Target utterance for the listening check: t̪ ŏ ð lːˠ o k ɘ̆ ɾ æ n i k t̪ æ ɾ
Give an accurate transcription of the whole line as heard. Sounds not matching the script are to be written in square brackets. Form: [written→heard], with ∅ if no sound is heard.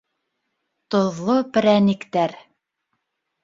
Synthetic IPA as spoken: t̪ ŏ ð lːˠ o [k→p] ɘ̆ ɾ æ n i k t̪ æ ɾ